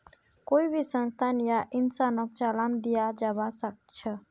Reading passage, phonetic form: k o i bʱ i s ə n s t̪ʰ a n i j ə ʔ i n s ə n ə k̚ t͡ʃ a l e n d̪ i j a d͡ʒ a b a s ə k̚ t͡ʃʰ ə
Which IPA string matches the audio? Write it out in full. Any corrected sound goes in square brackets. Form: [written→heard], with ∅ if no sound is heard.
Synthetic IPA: k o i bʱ i s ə n s t̪ʰ a n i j [ə→a] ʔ i n s [ə→a] n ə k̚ t͡ʃ a l [e→a] n d̪ i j a d͡ʒ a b a s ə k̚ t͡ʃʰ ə